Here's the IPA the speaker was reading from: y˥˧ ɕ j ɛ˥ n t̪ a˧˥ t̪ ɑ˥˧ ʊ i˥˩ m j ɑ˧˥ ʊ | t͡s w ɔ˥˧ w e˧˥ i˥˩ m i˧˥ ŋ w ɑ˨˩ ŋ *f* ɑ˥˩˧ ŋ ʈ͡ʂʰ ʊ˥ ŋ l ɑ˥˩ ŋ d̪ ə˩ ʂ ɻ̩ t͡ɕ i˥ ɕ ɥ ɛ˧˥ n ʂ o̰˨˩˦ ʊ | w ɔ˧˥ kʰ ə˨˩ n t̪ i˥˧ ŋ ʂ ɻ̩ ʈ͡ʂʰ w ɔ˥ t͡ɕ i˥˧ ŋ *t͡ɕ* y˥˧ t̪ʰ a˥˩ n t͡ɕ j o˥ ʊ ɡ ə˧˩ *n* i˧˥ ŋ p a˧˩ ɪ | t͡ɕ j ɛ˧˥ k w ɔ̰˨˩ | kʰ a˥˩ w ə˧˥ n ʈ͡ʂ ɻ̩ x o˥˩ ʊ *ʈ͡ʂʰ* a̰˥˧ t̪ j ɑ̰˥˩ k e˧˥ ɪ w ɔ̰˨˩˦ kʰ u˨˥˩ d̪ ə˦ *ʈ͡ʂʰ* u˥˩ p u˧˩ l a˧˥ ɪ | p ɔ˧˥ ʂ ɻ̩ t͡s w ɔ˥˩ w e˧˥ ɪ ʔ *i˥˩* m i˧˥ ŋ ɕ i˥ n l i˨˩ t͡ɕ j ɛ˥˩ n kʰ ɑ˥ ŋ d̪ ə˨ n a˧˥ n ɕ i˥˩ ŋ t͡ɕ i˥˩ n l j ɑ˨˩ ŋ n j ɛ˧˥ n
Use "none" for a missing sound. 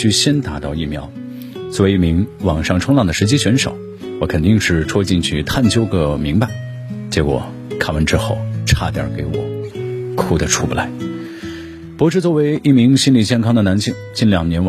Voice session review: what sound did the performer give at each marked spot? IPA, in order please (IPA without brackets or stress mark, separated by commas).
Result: ʂ, t͡ɕʰ, m, ʈ͡ʂʰ, ʈ͡ʂʰ, i˥˩